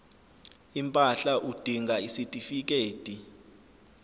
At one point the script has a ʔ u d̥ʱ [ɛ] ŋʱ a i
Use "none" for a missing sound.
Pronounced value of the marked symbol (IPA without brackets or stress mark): i